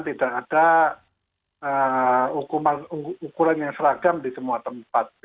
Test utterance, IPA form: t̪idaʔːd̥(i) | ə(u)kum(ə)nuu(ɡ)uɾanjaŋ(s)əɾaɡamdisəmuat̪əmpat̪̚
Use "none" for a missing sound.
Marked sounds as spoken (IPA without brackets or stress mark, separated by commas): a, u, a, k, s